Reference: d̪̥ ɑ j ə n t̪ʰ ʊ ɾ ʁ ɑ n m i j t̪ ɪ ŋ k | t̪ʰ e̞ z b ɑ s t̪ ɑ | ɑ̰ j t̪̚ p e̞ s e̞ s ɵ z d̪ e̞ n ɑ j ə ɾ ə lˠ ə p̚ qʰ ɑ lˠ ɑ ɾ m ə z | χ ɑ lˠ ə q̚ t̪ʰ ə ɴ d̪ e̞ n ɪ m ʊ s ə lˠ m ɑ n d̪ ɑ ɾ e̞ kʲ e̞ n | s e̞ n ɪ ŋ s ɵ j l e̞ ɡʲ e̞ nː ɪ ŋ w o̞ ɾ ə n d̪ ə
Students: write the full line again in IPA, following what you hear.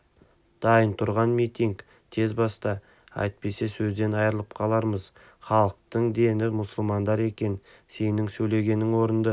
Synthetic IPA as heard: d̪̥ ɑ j ə n t̪ʰ ʊ ɾ ʁ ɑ n m i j t̪ i ŋ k | t̪ʰ e̞ z b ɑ s t̪ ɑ | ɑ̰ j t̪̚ p e̞ s e̞ s ɵ z d̪ e̞ n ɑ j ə ɾ ə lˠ ə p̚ qʰ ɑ lˠ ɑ ɾ m ə z | χ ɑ lˠ ə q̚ t̪ ə ɴ d̪ e̞ n ɪ m ʊ s ə lˠ m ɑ n d̪ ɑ ɾ e̞ kʲ e̞ n | s e̞ n ɪ ŋ s ɵ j l e̞ ɡʲ e̞ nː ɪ ŋ w o̞ ɾ ə n d̪ ə